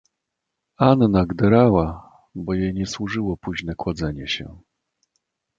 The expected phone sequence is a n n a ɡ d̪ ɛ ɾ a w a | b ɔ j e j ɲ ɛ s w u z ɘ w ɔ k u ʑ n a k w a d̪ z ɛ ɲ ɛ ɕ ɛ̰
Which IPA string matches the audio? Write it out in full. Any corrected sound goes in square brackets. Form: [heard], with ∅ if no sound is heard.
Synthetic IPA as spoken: a n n a ɡ d̪ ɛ ɾ a w a | b ɔ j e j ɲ ɛ s w u [ʐ] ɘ w ɔ [p] u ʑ n [ɛ] k w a d̪ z ɛ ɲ ɛ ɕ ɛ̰